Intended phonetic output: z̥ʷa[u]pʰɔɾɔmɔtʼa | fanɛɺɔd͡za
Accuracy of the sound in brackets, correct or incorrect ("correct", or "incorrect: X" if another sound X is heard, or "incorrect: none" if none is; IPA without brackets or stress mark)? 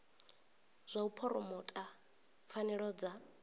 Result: correct